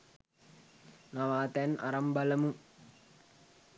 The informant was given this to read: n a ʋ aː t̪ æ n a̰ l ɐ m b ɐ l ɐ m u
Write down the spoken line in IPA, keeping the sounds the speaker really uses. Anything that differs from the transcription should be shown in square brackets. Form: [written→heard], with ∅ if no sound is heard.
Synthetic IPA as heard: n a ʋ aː t̪ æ n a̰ [l→ɾ] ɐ m b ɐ l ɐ m u